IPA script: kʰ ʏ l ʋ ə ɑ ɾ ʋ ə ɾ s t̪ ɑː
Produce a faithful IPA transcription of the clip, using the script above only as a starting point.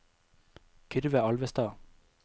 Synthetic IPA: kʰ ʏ ɾ ʋ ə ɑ l ʋ ə s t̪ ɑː